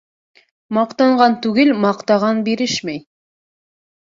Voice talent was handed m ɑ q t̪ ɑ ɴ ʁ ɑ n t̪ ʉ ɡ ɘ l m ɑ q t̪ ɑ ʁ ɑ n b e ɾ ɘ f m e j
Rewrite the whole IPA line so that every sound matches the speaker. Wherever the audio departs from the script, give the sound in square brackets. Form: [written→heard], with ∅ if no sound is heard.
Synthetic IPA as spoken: m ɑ q t̪ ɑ ɴ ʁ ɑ n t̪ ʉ ɡ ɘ l m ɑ q t̪ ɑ ʁ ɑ n b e ɾ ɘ [f→ʃ] m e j